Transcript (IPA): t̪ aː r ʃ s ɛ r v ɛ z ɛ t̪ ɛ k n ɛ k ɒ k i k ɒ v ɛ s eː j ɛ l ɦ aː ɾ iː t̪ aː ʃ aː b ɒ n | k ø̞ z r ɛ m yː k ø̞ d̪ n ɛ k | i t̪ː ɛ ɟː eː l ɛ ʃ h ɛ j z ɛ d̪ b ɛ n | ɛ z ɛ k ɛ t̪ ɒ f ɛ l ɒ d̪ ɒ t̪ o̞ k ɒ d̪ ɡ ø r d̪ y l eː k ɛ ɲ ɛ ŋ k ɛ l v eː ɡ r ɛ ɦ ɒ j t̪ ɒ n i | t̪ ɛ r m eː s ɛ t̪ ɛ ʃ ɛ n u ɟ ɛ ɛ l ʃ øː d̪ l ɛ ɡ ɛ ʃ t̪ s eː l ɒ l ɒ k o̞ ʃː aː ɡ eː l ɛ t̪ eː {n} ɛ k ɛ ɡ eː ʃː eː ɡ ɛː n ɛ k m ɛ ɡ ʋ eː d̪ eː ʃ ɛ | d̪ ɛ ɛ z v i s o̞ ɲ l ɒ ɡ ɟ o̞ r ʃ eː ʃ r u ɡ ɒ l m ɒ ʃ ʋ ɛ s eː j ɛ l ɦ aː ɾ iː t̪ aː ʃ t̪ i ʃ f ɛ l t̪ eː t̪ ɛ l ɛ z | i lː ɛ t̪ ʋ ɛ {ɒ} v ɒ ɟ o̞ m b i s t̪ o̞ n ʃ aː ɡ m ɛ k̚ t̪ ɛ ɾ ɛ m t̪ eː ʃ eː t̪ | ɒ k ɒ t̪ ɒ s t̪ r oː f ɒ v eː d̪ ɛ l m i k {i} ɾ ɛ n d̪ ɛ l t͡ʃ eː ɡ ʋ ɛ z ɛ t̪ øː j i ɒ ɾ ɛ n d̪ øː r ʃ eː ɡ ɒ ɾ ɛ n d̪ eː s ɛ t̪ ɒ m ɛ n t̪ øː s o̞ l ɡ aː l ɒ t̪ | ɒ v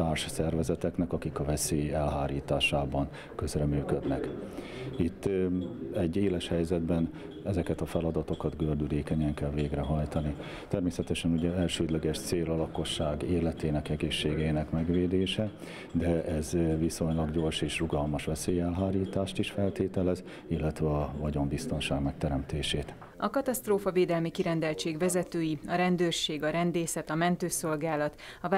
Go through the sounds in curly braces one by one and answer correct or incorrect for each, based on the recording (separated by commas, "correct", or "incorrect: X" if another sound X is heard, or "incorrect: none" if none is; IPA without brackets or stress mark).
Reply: correct, correct, correct